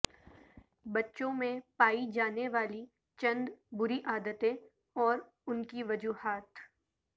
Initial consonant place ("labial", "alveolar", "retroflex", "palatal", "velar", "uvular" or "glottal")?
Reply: labial